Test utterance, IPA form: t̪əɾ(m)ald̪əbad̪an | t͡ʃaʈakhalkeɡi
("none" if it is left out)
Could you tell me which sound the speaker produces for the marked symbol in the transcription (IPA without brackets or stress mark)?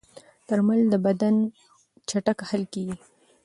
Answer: m